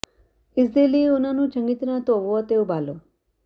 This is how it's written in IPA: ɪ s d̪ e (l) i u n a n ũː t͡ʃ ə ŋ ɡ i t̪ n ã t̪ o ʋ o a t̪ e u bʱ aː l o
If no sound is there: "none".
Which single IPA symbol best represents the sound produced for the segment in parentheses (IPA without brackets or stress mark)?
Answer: l